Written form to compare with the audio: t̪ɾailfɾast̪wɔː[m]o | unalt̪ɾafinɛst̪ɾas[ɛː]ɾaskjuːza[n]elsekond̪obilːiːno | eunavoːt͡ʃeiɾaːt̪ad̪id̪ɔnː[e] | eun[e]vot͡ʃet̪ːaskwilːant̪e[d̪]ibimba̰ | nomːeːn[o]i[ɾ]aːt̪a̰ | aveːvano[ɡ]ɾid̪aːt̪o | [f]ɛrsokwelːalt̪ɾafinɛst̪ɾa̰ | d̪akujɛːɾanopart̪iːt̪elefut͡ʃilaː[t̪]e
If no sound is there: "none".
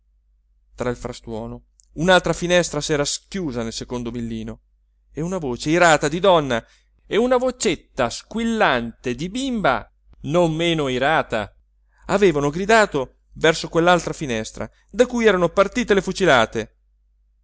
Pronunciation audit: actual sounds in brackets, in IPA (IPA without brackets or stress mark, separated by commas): n, ɛː, n, a, a, d̪, o, ɾ, ɡ, v, t̪